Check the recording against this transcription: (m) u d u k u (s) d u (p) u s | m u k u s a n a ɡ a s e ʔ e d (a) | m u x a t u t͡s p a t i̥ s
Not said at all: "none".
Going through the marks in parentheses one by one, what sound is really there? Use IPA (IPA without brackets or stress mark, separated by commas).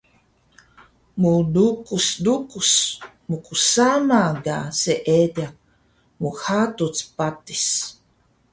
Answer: m, s, k, a